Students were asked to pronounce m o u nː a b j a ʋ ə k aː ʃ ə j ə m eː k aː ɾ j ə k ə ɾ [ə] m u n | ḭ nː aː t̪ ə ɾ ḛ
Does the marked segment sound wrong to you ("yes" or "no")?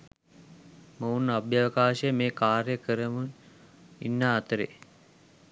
no